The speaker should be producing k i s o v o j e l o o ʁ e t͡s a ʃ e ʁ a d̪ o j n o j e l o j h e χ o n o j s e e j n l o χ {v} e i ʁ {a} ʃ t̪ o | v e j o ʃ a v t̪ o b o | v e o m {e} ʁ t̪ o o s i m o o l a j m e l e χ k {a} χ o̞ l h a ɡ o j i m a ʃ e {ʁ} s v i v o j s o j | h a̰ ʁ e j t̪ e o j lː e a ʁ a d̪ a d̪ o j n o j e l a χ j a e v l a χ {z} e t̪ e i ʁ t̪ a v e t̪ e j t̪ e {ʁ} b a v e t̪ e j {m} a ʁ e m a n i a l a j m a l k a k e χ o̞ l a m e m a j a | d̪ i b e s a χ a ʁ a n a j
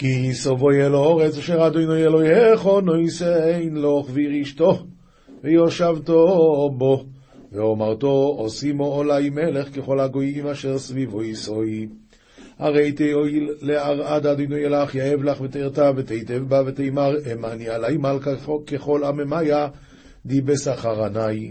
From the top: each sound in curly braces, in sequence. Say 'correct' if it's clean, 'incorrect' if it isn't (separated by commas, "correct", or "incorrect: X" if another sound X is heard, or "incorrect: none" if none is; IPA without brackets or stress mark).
correct, incorrect: i, incorrect: a, incorrect: e, correct, incorrect: v, incorrect: v, correct